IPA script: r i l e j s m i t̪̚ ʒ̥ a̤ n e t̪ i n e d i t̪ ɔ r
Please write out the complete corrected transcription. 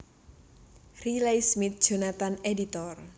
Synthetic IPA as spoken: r i l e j s m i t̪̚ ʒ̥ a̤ n a t̪ a n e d i t̪ ɔ r